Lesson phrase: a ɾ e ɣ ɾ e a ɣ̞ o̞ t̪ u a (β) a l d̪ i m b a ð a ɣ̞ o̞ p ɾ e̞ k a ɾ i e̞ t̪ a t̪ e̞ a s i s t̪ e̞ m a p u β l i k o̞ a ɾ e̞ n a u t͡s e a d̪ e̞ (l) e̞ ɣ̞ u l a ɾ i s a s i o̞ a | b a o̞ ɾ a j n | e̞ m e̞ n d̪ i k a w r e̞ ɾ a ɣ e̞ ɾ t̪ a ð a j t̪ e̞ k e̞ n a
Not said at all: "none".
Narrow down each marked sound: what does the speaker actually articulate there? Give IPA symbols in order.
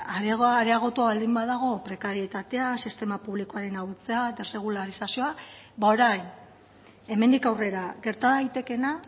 β, r

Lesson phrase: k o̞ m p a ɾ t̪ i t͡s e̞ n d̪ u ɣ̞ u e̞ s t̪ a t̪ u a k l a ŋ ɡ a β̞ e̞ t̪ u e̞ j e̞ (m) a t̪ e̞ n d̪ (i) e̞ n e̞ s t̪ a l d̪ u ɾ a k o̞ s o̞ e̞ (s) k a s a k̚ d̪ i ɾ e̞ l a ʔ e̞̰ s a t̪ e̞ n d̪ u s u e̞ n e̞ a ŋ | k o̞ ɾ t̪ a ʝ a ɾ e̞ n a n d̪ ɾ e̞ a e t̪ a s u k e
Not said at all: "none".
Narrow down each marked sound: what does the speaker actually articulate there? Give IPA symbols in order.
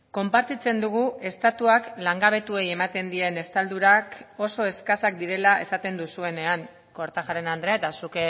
m, i, s

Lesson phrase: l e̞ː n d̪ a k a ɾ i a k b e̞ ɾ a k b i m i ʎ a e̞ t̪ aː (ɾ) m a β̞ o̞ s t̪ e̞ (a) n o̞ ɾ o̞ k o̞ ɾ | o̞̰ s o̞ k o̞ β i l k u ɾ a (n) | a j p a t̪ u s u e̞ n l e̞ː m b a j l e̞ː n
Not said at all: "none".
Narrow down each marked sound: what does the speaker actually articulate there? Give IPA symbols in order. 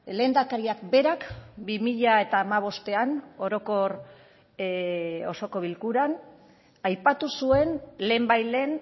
none, a, n

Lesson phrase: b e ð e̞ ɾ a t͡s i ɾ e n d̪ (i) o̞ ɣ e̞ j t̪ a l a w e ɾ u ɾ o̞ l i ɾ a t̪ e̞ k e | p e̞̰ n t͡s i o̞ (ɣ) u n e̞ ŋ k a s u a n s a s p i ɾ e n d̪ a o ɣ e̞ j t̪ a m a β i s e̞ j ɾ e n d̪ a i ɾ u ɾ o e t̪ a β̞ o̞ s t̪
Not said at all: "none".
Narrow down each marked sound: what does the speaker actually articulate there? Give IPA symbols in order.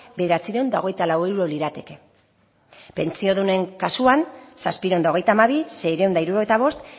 a, ð

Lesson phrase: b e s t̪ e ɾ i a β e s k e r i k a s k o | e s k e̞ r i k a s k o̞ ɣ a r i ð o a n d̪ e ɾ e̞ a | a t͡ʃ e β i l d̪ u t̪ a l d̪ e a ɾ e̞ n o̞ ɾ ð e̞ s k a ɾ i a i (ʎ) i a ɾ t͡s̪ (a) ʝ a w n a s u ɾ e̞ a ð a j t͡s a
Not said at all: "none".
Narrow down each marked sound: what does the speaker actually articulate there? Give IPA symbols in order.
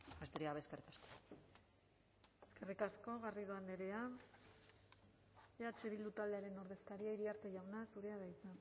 ɾ, e

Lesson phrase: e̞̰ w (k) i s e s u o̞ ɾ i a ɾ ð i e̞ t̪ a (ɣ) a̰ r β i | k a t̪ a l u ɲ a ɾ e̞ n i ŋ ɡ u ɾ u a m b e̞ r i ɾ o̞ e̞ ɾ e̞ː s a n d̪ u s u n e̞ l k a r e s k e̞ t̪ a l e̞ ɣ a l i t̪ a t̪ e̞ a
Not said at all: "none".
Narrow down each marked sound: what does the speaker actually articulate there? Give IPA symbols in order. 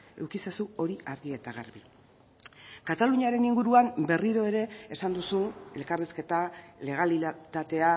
k, ɣ

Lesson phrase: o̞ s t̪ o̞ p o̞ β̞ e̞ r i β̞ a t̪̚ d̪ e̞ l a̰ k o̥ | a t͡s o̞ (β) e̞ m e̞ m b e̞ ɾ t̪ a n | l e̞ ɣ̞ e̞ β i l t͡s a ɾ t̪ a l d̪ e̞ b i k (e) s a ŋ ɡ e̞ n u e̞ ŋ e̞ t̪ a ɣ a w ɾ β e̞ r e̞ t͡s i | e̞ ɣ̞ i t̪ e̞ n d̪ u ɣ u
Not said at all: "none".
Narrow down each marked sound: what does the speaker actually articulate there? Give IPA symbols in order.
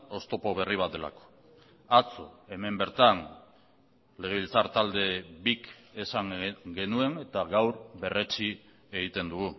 none, e

